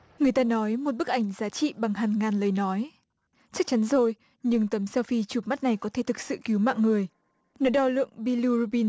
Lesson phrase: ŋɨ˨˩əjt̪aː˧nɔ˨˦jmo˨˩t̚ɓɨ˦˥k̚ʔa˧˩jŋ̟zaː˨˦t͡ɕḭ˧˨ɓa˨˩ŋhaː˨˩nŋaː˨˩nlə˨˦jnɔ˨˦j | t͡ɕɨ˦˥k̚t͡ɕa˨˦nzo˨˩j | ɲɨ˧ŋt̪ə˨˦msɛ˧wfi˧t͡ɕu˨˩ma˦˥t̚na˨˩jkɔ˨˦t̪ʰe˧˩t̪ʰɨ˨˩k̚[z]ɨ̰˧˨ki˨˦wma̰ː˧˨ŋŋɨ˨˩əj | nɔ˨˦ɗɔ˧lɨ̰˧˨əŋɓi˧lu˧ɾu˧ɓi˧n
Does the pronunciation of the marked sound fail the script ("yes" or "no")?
yes